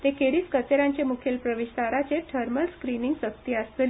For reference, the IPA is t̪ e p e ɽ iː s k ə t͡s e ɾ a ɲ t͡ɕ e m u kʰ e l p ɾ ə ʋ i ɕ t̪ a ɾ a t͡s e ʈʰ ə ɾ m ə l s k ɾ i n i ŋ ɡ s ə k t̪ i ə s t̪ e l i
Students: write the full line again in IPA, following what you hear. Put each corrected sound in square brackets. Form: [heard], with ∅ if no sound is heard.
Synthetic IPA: t̪ e [k] e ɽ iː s k ə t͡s e ɾ a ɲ t͡ɕ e m u kʰ e l p ɾ ə ʋ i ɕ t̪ a ɾ a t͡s e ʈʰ ə ɾ m ə l s k ɾ i n i ŋ ɡ s ə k t̪ i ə s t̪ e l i